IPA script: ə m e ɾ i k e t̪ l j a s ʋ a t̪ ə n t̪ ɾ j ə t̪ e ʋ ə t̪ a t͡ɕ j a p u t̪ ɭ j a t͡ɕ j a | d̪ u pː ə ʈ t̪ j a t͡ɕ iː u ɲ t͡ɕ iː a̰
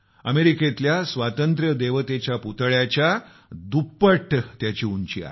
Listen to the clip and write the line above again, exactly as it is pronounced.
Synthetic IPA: ə m e ɾ i k e t̪ l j a s ʋ a t̪ ə n t̪ ɾ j ə d̪ e ʋ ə t̪ e t͡ɕ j a p u t̪ ɭ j a t͡ɕ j a | d̪ u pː ə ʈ t̪ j a t͡ɕ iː u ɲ t͡ɕ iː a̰